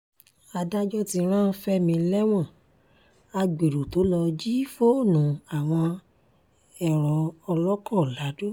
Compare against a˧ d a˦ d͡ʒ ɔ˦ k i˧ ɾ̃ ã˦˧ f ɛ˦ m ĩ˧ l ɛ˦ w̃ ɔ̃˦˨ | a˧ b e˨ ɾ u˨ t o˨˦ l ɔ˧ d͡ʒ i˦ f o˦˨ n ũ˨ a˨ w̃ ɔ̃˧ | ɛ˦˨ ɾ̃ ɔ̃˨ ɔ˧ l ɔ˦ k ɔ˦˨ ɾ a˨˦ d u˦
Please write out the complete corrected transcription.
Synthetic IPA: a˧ d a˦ d͡ʒ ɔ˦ t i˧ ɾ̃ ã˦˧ f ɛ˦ m ĩ˧ l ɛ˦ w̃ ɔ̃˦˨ | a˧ ɡ͡b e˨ ɾ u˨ t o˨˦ l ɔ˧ d͡ʒ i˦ f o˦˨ n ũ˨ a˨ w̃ ɔ̃˧ | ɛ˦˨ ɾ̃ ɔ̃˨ ɔ˧ l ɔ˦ k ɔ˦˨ l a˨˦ d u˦